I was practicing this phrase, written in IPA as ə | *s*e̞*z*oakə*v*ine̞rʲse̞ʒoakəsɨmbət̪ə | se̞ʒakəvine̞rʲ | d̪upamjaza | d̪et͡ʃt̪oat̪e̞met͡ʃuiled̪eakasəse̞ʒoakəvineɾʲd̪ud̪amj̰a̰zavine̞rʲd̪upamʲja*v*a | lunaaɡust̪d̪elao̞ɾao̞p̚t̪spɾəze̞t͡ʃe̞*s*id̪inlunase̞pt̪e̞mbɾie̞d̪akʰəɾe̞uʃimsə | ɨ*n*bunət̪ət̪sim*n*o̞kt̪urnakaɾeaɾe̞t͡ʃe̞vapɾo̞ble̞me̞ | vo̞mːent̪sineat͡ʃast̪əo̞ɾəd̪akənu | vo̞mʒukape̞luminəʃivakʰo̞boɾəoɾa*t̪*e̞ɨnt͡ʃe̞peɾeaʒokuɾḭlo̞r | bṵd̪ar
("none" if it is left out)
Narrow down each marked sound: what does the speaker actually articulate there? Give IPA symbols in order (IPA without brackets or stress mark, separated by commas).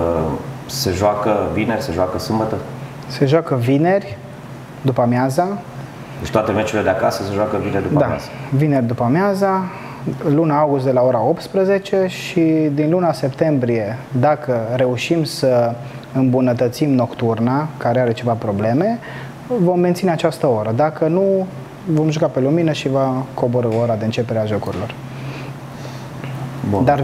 s, ʒ, v, z, ʃ, m, n, d̪